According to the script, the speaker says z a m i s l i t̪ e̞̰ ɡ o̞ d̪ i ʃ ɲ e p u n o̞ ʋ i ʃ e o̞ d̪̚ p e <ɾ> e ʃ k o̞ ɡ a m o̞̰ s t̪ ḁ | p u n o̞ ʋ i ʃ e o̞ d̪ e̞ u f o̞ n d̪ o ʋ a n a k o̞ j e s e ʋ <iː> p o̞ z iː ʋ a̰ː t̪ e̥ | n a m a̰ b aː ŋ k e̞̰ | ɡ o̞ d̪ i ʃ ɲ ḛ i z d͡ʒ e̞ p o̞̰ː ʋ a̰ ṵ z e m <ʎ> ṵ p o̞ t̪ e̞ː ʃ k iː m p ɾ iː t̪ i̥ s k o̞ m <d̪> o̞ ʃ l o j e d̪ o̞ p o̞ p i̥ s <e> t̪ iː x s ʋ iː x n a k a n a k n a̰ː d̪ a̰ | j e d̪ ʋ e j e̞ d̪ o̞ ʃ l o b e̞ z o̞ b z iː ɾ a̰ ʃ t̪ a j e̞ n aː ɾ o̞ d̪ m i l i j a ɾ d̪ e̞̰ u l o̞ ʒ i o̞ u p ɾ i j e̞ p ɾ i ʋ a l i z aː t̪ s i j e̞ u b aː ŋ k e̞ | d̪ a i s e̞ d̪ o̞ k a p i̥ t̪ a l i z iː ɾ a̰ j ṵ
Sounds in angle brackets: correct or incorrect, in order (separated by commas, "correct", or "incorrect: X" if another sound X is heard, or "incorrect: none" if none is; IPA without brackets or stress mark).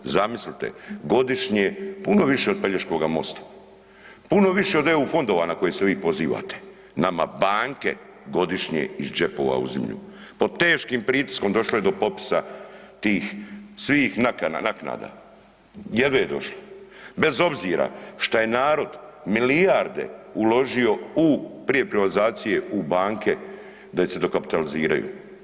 incorrect: ʎ, correct, correct, correct, incorrect: a